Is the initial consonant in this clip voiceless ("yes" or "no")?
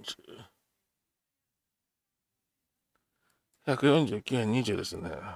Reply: yes